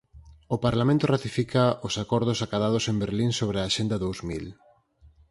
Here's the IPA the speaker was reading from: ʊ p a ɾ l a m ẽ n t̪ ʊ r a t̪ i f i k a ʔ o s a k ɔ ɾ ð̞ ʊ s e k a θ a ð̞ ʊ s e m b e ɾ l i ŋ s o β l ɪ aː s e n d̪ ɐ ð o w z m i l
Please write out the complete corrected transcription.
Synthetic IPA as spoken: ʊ p a ɾ l a m ẽ n t̪ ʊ r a t̪ i f i k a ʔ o s a k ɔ ɾ ð̞ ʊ s a k a ð a ð̞ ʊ s e m b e ɾ l i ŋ s o β ɾ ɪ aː ʃ e n d̪ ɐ ð o w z m i l

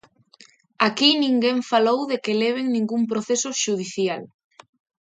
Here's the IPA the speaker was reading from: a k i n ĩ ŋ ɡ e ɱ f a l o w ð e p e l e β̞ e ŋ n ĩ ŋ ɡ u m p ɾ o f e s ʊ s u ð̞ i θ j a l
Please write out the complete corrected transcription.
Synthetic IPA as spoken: a k i n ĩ ŋ ɡ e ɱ f a l o w ð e k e l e β̞ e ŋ n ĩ ŋ ɡ u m p ɾ o θ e s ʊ ʃ u ð̞ i θ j a l

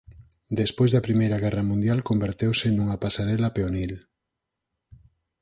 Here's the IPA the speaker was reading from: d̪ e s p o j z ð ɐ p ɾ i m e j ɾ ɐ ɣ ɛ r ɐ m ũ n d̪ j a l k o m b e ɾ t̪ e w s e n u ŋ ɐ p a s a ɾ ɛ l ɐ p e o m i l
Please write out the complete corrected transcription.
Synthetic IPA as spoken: d̪ e s p o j z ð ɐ p ɾ i m e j ɾ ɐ ɣ ɛ r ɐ m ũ n d̪ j a l k o m b e ɾ t̪ e w s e n u ŋ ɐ p a s a ɾ ɛ l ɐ p e o n i l

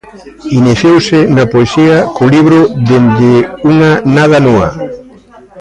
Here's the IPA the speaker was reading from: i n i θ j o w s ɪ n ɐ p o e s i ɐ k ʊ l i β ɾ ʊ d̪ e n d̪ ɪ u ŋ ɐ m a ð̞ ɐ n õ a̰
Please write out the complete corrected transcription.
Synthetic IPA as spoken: i n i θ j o w s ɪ n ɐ p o e s i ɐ k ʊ l i β ɾ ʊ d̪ e n d̪ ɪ u ŋ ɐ n a ð̞ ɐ n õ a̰

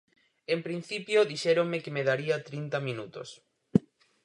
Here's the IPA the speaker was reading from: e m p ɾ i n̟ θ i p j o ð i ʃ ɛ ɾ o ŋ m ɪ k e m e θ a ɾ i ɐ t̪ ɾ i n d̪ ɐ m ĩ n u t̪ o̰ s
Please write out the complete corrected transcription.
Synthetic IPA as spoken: e m p ɾ i n̟ θ i p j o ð i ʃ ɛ ɾ o ŋ m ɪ k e m e ð a ɾ i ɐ t̪ ɾ i n t̪ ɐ m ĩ n u t̪ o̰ s

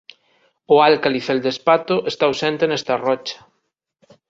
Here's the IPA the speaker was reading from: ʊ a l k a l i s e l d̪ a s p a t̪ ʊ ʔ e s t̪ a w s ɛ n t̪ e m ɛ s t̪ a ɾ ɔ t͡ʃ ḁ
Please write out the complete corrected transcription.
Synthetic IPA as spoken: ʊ a l k a l i θ e l d̪ e s p a t̪ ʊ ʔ e s t̪ a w s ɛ n t̪ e n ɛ s t̪ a r ɔ t͡ʃ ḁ

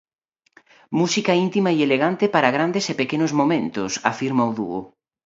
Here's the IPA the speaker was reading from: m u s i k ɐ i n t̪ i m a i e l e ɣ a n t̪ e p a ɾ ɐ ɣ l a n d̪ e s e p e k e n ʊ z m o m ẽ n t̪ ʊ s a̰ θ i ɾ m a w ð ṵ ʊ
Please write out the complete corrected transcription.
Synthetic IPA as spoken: m u s i k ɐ i n t̪ i m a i e l e ɣ a n t̪ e p a ɾ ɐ ɣ ɾ a n d̪ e s e p e k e n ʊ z m o m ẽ n t̪ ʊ s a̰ f i ɾ m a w ð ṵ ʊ

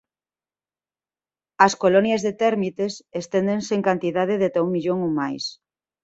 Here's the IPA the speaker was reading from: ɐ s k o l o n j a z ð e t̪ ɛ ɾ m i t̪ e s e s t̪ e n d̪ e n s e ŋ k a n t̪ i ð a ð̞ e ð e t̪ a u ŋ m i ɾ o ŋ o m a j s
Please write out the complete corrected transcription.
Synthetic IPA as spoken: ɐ s k o l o n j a z ð e t̪ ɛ ɾ m i t̪ e s e s t̪ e n d̪ e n s e ŋ k a n t̪ i ð a ð̞ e ð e t̪ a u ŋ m i ʎ o ŋ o m a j s

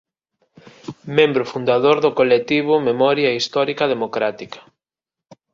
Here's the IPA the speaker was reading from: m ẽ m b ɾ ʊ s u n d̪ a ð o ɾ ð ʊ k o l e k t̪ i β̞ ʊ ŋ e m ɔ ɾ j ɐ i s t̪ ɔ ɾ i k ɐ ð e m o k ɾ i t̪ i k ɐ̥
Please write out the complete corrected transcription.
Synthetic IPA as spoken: m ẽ m b ɾ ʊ f u n d̪ a ð o ɾ ð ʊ k o l e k t̪ i β̞ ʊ m e m ɔ ɾ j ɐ i s t̪ ɔ ɾ i k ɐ ð e m o k ɾ a t̪ i k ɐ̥

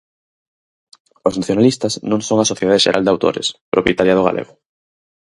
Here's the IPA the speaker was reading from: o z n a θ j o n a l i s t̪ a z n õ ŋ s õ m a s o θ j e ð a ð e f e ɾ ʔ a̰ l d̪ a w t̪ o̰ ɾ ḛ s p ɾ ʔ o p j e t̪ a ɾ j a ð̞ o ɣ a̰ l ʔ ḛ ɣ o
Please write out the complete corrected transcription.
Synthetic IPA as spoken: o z n a θ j o n a l i s t̪ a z n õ ŋ s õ ŋ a s o θ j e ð a ð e ʃ e ɾ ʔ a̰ l d̪ a w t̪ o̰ ɾ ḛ s p ɾ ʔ o p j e t̪ a ɾ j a ð̞ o ɣ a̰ l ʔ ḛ ɣ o

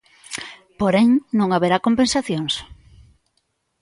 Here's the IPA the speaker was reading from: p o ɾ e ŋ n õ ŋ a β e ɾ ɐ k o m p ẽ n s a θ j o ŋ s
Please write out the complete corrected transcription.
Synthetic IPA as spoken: p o ɾ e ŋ n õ ŋ a β e ɾ a k o m p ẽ n s a θ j o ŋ s

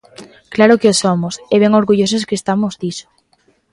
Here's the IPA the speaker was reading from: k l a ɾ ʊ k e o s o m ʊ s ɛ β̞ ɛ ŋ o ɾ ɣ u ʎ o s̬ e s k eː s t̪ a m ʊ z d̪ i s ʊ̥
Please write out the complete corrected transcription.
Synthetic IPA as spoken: k l a ɾ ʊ k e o s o m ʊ s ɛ β̞ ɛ ŋ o ɾ ɣ u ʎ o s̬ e s k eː s t̪ a m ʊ z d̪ i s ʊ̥

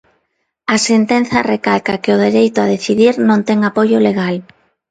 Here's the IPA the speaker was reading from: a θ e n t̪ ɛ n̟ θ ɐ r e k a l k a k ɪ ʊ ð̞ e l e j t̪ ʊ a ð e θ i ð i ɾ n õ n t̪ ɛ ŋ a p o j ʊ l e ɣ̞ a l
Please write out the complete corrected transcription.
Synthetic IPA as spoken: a s e n t̪ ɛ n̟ θ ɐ r e k a l k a k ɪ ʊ ð̞ e ɾ e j t̪ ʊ a ð e θ i ð i ɾ n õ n t̪ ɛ ŋ a p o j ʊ l e ɣ̞ a l

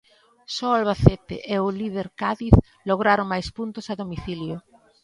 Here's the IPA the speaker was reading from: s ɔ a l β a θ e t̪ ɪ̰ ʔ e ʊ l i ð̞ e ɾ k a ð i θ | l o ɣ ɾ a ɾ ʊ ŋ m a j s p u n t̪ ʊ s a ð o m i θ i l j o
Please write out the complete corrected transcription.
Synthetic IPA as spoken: s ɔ a l β a θ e t̪ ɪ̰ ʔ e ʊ l i ð̞ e ɾ k a ð i θ | l o ɣ ɾ a ɾ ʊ ŋ m a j s p u n t̪ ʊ s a ð o m i θ i l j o

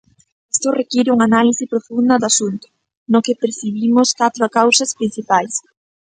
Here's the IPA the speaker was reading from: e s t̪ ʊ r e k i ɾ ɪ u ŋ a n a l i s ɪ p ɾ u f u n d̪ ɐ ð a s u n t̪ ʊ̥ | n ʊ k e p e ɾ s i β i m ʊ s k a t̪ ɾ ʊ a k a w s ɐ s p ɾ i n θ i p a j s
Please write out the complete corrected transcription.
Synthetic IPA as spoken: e s t̪ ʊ r e k i ɾ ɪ u ŋ a n a l i s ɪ p ɾ o f u n d̪ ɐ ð a s u n t̪ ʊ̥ | n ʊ k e p e ɾ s i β i m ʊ s k a t̪ ɾ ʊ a k a w s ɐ s p ɾ i n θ i p a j s

